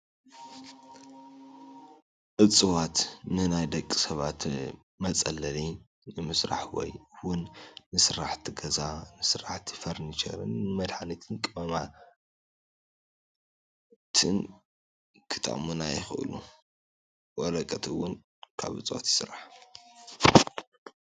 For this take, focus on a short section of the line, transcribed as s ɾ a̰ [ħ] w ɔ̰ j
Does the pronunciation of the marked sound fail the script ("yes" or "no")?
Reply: no